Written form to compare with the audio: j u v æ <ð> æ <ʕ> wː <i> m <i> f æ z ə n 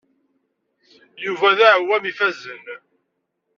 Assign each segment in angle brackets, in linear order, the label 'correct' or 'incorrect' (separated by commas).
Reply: correct, correct, incorrect, correct